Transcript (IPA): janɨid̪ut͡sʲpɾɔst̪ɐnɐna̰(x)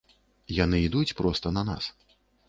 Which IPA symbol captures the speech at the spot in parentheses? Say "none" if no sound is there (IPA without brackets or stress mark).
s